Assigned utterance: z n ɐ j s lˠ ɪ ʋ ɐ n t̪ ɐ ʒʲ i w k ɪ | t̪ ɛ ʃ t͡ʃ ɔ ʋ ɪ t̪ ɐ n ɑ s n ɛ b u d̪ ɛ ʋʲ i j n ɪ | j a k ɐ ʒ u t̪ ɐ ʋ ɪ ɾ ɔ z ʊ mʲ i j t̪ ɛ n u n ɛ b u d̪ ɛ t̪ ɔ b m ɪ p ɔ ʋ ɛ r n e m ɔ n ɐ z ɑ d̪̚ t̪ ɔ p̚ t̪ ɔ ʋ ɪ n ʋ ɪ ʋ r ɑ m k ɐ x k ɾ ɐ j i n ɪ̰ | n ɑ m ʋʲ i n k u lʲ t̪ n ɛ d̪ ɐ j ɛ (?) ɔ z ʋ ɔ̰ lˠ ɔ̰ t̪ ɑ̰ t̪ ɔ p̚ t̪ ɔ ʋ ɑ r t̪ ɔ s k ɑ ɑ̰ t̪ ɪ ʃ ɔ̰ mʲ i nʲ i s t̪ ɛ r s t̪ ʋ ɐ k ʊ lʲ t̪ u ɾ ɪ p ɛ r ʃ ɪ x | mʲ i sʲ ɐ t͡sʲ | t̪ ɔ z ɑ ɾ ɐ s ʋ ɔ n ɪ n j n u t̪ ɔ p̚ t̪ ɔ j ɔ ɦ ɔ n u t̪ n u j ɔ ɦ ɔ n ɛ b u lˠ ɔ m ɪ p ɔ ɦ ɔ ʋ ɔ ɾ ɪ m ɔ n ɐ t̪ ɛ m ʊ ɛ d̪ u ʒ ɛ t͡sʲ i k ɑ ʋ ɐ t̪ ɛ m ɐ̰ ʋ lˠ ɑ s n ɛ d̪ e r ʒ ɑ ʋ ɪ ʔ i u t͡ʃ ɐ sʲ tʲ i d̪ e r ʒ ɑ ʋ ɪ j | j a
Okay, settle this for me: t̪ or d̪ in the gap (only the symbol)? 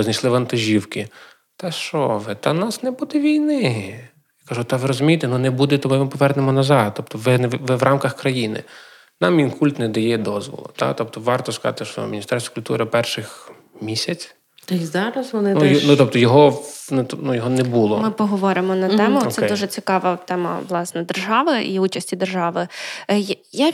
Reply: d̪